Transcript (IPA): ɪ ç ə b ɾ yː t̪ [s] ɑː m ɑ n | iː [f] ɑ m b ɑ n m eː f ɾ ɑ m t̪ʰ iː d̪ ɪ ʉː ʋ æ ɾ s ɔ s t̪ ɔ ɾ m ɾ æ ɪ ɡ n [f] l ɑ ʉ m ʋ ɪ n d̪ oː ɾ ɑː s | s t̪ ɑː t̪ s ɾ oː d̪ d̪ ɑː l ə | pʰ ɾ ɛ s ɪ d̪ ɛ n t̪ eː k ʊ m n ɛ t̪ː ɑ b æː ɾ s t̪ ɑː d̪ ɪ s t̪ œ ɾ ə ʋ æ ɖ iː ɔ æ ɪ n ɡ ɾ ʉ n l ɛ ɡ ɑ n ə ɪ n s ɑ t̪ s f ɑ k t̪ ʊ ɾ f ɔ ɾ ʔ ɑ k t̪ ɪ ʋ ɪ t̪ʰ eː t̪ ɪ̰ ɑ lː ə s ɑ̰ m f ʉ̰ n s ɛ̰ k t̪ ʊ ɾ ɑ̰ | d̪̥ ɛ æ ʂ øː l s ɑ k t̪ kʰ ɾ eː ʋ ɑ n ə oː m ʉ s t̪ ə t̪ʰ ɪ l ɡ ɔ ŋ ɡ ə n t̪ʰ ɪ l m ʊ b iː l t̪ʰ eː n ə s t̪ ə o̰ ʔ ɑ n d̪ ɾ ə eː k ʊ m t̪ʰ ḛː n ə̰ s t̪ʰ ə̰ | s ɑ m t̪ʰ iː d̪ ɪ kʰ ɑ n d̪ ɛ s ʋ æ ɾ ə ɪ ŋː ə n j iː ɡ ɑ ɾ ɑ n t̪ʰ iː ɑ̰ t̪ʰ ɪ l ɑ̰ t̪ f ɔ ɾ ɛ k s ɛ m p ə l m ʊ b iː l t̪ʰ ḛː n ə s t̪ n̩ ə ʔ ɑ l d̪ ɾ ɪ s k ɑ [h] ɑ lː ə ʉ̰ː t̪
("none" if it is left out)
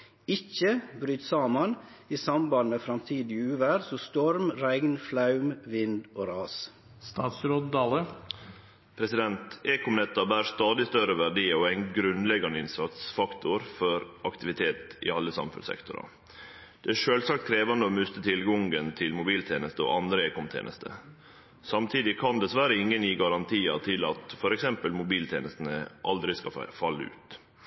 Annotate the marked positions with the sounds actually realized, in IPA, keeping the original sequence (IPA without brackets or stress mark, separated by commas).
s, s, f, f